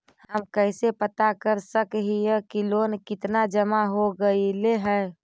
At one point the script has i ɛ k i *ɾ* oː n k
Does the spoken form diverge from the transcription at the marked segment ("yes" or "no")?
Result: yes